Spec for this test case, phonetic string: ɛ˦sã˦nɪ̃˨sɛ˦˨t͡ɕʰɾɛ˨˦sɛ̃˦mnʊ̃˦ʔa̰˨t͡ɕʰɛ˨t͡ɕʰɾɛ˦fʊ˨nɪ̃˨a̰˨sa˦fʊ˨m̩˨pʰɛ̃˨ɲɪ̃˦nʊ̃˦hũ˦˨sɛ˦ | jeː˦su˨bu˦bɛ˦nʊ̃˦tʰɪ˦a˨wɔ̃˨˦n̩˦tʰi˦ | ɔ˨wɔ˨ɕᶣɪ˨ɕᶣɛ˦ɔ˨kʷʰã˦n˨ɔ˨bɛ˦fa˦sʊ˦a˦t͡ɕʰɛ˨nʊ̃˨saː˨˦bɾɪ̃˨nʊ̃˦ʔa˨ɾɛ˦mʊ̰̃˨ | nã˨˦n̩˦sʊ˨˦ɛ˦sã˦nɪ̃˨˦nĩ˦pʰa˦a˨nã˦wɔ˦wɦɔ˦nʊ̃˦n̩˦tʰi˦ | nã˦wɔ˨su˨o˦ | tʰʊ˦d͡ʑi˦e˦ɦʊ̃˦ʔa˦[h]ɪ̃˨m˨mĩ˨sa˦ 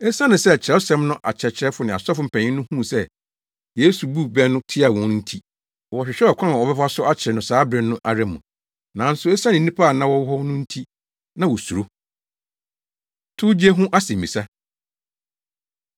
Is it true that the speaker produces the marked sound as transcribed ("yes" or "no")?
no